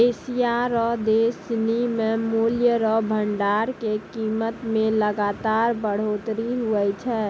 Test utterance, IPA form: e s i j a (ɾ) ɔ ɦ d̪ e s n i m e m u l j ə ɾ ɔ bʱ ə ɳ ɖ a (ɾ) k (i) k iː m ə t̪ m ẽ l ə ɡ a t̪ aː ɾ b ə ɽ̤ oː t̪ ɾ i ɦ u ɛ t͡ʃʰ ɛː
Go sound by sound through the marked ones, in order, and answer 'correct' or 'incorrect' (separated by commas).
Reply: correct, correct, incorrect